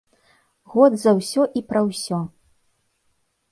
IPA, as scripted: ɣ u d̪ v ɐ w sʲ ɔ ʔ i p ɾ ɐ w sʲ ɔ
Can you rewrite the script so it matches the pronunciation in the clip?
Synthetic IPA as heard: ɣ ɔ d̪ z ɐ w sʲ ɔ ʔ i p ɾ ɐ w sʲ ɔ

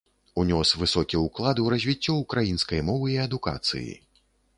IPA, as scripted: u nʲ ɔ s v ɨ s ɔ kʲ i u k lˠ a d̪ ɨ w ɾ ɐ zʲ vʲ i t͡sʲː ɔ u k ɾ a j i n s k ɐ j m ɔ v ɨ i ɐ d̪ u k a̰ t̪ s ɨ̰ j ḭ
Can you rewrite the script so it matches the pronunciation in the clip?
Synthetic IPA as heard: u nʲ ɔ s v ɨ s ɔ kʲ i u k lˠ a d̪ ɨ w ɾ ɐ zʲ vʲ i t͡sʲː ɔ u k ɾ a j i n s k ɐ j m ɔ v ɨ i ɐ d̪ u k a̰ t̪ s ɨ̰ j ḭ

